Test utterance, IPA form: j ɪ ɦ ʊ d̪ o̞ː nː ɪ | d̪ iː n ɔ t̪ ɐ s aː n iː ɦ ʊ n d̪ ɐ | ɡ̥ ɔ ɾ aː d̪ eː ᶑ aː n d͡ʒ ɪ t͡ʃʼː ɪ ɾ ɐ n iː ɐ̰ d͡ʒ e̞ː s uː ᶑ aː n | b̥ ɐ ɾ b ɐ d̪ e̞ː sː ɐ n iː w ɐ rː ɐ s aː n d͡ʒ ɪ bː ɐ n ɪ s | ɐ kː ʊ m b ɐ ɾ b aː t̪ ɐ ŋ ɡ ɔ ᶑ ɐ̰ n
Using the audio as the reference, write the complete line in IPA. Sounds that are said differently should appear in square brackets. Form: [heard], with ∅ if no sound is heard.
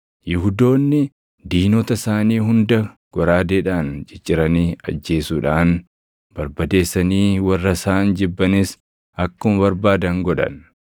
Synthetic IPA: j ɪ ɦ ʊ d̪ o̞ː nː ɪ | d̪ iː n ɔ t̪ ɐ s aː n iː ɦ ʊ n d̪ ɐ | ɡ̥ ɔ ɾ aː d̪ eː ᶑ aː n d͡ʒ ɪ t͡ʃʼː ɪ ɾ ɐ n iː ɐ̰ [d͡ʒː] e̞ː s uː ᶑ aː n | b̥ ɐ ɾ b ɐ d̪ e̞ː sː ɐ n iː w ɐ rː ɐ s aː n d͡ʒ ɪ bː ɐ n ɪ s | ɐ kː ʊ m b ɐ ɾ b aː [d̪] ɐ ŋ ɡ ɔ ᶑ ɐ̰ n